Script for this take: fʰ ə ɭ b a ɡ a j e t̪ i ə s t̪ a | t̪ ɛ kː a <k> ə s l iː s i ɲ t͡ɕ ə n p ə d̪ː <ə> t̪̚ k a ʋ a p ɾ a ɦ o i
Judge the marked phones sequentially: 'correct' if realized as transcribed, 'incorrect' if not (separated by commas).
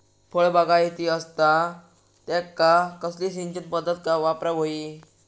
correct, correct